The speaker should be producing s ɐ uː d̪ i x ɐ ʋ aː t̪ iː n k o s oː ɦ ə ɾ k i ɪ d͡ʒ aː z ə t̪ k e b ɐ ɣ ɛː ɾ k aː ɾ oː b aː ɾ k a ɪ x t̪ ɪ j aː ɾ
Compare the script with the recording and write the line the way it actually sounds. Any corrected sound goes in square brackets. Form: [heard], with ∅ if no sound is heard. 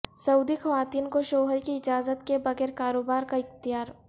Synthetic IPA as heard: s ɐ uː d̪ i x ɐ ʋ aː t̪ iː n k o [ʃ] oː ɦ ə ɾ k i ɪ d͡ʒ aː z ə t̪ k e b ɐ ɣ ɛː ɾ k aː ɾ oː b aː ɾ k a ɪ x t̪ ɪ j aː ɾ